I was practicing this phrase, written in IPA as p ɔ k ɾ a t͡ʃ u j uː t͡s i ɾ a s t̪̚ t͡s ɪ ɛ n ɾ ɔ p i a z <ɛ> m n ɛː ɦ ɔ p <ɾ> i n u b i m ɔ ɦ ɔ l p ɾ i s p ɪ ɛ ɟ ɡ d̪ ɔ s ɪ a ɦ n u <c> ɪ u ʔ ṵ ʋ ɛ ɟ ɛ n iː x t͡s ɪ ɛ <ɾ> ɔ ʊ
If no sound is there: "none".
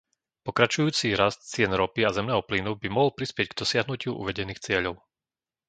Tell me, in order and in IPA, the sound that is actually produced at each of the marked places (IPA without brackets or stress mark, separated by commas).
ɛ, l, c, ʎ